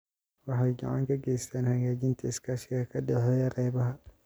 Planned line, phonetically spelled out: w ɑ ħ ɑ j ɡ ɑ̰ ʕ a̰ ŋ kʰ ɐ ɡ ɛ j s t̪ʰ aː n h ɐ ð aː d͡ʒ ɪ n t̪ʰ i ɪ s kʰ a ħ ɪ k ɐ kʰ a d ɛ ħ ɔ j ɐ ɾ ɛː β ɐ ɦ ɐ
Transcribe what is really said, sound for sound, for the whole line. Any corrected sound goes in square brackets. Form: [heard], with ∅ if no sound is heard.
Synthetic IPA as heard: w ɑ ħ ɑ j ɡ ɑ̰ ʕ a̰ ŋ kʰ ɐ ɡ ɛ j s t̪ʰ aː n h ɐ [ɣ] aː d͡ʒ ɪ n t̪ʰ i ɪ s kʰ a [ʃ] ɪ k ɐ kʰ [ɐ] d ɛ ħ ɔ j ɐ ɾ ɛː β ɐ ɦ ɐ